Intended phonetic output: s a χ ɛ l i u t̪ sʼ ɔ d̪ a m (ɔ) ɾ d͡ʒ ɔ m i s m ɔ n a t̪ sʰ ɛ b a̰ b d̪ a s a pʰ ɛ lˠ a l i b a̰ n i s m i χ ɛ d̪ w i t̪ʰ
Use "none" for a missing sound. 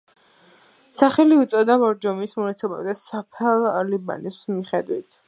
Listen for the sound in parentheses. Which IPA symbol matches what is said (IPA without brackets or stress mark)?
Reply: ɔ